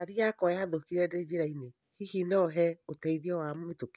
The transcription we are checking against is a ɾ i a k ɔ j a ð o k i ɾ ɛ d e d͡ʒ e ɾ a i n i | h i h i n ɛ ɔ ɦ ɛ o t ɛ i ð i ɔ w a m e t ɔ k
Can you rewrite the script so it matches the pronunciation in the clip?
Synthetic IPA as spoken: a ɾ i a k ɔ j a ð o k i ɾ ɛ d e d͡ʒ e ɾ a i n e | h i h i n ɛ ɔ ɦ ɛ o t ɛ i ð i ɔ w a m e t o k